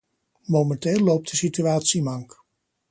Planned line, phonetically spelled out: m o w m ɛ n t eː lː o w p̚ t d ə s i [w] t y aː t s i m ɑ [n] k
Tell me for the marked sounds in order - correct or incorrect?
incorrect: none, incorrect: ŋ

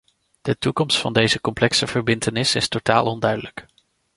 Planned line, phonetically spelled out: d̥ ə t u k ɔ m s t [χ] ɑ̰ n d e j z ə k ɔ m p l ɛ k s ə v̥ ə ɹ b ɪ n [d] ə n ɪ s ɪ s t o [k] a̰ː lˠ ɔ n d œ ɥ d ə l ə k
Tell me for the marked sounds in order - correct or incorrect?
incorrect: f, incorrect: t, incorrect: t

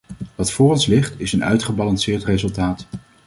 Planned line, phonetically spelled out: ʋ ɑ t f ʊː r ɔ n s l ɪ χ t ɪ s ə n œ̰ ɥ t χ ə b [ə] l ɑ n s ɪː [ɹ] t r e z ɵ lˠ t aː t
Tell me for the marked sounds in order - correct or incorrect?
incorrect: ɑ, correct

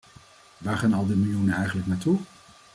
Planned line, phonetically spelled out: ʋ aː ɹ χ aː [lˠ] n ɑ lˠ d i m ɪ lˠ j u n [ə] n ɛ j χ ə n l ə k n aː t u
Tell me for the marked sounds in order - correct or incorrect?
incorrect: none, correct

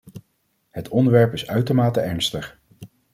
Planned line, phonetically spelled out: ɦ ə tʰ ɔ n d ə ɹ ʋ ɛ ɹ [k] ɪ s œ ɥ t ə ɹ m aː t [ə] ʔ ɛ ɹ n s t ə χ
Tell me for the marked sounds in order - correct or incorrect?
incorrect: p, correct

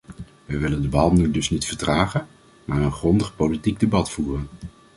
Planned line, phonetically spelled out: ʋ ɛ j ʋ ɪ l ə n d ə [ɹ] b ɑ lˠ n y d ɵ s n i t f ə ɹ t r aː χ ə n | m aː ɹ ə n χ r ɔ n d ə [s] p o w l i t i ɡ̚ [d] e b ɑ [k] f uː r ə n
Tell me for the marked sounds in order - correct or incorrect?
incorrect: none, incorrect: χ, correct, incorrect: t

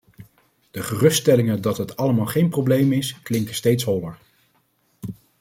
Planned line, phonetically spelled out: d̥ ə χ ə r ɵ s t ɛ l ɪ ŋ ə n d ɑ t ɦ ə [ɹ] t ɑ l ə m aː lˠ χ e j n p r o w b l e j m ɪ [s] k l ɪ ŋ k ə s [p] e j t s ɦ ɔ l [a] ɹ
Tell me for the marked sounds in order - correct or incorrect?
incorrect: none, correct, incorrect: t, incorrect: ə

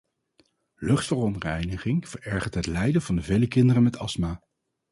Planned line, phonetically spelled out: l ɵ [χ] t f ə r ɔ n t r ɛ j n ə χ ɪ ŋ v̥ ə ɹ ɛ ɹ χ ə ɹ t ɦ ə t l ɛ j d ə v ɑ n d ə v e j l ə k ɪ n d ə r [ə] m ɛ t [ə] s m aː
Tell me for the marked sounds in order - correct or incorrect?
correct, correct, incorrect: ɑ

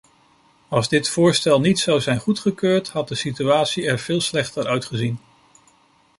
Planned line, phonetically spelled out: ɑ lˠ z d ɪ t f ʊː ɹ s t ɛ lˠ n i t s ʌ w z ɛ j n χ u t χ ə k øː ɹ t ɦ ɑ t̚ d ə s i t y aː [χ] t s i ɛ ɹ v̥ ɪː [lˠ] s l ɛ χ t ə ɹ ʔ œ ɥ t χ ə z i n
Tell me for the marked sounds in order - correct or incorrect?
incorrect: none, correct

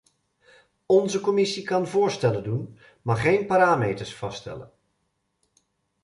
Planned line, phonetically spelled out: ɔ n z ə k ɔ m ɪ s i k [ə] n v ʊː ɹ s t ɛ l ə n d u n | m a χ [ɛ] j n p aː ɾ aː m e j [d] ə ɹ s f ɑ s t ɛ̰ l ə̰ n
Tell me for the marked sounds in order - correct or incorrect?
incorrect: ɑ, incorrect: e, incorrect: t

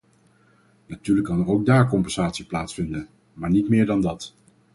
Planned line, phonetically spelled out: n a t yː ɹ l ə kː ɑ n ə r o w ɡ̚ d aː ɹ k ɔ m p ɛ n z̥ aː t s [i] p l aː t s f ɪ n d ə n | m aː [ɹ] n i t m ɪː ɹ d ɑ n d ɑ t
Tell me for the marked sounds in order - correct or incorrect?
correct, correct

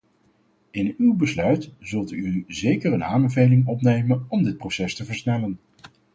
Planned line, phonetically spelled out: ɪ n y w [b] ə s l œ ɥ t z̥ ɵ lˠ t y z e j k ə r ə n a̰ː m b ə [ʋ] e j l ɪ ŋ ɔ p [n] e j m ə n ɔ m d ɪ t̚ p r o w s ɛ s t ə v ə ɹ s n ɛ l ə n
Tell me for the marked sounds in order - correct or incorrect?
correct, incorrect: v, correct

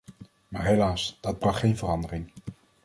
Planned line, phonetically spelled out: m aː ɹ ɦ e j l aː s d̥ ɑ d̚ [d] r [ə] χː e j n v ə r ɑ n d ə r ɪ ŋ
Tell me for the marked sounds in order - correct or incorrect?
incorrect: b, incorrect: ɑ

